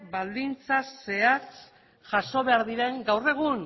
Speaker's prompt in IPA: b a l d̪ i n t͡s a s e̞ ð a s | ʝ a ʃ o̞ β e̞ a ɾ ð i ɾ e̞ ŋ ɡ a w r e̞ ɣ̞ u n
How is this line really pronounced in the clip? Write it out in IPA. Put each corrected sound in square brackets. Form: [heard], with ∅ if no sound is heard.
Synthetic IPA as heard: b a l d̪ i n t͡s a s e̞ [∅] a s | ʝ a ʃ o̞ β e̞ a ɾ ð i ɾ e̞ ŋ ɡ a w r e̞ ɣ̞ u n